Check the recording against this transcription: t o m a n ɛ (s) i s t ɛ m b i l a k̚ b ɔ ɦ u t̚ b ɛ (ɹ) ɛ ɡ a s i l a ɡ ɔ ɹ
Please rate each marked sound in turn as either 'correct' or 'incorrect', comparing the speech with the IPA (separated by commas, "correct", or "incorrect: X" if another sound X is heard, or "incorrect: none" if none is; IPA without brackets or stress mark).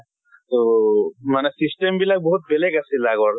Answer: correct, incorrect: l